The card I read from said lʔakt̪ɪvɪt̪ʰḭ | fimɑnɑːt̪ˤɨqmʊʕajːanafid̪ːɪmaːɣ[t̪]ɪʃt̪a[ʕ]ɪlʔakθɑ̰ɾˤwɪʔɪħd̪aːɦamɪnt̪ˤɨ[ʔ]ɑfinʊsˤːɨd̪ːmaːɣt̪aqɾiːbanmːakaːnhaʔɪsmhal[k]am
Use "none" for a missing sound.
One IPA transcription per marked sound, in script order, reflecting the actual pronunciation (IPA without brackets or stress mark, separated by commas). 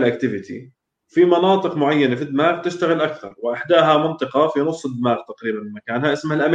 t̪, ɣ, q, ʔ